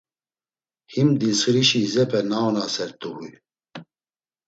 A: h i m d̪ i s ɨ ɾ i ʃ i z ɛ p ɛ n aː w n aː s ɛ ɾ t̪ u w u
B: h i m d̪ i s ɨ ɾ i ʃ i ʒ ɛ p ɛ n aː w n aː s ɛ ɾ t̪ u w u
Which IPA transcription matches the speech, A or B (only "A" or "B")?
A